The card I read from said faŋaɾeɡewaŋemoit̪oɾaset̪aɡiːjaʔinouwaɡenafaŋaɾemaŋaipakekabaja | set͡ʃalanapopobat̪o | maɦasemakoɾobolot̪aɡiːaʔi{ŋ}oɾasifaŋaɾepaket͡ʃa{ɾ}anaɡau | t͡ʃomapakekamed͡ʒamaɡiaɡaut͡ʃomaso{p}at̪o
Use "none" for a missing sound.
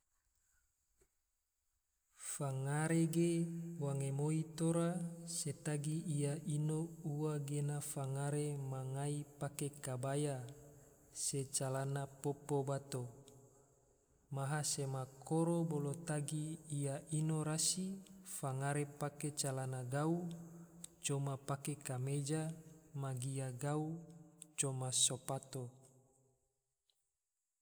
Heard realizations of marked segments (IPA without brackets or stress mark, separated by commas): n, l, p